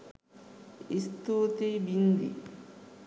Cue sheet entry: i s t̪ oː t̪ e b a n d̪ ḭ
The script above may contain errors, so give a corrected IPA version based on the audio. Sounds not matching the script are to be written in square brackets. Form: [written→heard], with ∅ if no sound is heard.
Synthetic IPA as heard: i s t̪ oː t̪ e b [a→i] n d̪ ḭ